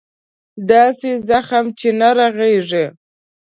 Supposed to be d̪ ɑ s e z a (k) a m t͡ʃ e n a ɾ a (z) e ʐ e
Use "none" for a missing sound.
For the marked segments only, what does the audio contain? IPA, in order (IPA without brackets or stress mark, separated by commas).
x, ɣ